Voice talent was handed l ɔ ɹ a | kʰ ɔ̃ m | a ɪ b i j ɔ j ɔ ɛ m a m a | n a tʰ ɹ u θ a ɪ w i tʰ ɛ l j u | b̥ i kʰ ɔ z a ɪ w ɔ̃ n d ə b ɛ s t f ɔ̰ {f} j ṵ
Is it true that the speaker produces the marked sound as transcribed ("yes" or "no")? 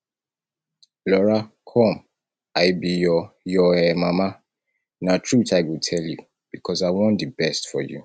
no